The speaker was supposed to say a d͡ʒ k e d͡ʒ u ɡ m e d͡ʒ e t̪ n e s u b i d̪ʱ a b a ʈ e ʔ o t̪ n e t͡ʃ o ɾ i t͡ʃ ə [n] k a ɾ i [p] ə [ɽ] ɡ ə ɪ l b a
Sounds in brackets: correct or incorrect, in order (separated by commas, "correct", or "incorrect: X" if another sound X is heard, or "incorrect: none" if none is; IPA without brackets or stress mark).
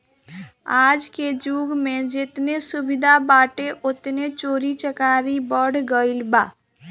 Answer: incorrect: none, incorrect: b, correct